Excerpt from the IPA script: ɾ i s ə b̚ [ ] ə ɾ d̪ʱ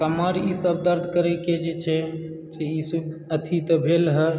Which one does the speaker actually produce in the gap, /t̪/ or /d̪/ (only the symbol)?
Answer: d̪